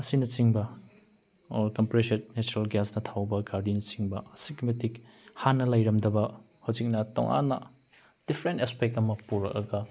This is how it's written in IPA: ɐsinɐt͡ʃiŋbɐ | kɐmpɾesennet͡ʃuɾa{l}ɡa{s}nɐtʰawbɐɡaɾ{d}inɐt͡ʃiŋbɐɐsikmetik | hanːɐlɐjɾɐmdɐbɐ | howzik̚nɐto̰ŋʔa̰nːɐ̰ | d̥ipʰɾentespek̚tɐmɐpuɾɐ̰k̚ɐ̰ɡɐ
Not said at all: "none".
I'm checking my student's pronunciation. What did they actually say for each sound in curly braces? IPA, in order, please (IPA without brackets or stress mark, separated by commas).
l, s, d